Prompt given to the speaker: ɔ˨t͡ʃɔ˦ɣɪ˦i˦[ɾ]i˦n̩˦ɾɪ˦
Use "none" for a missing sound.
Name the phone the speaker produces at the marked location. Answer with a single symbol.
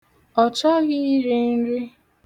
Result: ɾ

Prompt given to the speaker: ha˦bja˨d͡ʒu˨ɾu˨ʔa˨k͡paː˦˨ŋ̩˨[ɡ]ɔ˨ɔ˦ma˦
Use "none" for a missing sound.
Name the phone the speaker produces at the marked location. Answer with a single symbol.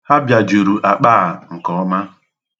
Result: k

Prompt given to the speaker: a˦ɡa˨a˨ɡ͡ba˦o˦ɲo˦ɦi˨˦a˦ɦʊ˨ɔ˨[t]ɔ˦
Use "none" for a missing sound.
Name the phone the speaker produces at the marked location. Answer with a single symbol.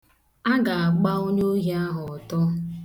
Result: t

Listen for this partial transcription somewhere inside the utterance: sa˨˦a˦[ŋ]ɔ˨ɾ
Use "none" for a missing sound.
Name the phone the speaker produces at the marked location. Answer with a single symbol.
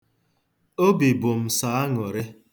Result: ŋ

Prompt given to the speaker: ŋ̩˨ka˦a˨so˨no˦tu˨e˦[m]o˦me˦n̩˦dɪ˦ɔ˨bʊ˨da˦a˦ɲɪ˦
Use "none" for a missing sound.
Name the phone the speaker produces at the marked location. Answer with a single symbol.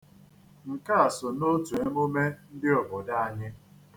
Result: m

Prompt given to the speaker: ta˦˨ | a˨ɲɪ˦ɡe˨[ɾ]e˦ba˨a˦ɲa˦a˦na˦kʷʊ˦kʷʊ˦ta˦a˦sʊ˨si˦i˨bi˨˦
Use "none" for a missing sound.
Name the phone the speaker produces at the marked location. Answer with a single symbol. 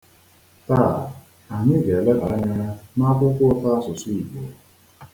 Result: l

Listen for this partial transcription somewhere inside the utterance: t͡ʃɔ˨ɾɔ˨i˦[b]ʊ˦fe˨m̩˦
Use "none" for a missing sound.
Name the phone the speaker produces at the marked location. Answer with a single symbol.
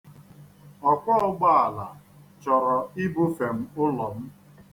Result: b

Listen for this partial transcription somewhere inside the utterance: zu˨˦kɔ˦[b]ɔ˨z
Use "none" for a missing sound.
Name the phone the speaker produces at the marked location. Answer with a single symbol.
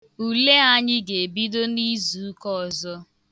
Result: none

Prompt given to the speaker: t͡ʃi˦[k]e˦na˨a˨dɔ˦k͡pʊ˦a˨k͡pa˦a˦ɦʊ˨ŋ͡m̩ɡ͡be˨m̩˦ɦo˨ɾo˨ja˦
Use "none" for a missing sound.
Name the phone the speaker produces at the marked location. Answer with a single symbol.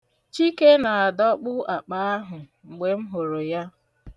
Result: k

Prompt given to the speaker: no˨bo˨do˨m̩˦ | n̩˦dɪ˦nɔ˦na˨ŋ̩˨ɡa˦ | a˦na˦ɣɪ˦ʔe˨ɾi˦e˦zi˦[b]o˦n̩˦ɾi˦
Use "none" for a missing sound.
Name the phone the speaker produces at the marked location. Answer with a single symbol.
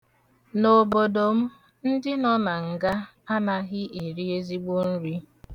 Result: ɡ͡b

